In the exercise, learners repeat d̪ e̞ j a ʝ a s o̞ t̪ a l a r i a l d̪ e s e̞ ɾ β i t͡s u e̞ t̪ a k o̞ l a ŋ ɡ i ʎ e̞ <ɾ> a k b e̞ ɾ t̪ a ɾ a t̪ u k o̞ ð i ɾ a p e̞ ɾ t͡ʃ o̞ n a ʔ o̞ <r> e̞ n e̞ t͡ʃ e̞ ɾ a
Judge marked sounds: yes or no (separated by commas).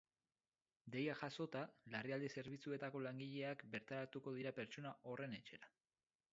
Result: no, yes